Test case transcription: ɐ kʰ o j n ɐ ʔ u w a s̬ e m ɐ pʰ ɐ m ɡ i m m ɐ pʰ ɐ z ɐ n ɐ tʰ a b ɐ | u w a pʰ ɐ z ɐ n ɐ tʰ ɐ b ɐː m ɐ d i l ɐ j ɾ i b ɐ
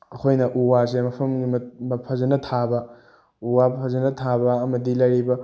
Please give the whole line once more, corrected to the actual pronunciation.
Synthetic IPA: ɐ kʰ o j n ɐ ʔ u w a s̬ e m ɐ pʰ ɐ m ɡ i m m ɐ pʰ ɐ z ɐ n ɐ tʰ a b ɐ | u w a pʰ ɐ z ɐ n ɐ tʰ a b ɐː m ɐ d i l ɐ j ɾ i b ɐ